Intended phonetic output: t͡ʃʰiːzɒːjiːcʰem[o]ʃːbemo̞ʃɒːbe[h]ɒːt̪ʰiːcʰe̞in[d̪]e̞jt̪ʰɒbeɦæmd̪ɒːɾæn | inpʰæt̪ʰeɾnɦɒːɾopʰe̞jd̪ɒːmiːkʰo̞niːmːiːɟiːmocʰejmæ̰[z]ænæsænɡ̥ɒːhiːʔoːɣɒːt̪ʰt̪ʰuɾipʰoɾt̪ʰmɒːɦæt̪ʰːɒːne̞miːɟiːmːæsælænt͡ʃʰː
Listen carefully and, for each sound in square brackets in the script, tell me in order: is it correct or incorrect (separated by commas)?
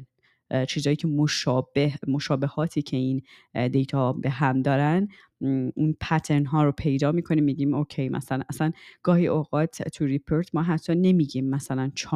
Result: correct, correct, correct, incorrect